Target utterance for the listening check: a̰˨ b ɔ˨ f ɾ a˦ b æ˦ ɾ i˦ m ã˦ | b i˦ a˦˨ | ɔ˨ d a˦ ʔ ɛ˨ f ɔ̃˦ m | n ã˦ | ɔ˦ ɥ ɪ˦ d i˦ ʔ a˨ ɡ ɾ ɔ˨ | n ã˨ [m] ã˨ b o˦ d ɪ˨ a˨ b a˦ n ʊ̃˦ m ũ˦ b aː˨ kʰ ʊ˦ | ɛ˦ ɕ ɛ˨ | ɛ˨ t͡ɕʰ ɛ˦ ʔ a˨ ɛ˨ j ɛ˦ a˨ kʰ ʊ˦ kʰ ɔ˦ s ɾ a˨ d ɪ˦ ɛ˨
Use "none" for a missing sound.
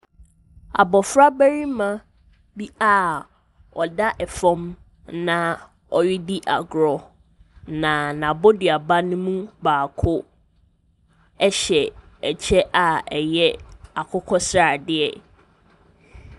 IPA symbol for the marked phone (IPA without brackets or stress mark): n